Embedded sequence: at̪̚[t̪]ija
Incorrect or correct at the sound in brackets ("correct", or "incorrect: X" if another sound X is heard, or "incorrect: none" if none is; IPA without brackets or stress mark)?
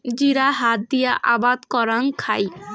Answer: incorrect: d̪